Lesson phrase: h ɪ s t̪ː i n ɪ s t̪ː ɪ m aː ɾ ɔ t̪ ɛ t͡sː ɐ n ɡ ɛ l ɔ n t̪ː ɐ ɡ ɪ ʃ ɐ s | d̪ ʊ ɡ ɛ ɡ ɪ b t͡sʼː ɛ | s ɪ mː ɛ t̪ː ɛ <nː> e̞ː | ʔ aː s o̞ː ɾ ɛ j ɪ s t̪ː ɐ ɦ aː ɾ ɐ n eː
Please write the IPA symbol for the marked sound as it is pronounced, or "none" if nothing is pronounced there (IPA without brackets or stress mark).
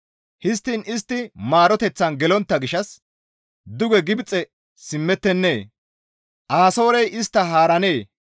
nː